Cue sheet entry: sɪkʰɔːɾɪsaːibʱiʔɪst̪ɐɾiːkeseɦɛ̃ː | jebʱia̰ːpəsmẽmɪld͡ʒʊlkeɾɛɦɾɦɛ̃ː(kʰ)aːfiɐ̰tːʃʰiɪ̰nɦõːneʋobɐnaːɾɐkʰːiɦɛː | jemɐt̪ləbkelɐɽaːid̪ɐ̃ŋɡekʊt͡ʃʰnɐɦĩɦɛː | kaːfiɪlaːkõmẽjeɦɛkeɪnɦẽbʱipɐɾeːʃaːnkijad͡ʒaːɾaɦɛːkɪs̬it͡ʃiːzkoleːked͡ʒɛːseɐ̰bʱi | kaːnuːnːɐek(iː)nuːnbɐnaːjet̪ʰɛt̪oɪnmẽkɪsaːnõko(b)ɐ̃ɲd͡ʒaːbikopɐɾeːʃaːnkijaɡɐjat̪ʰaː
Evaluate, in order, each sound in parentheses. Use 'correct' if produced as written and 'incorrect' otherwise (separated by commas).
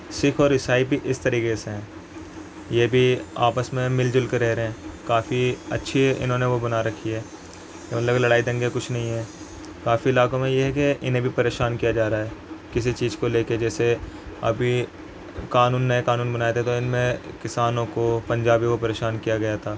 incorrect, incorrect, incorrect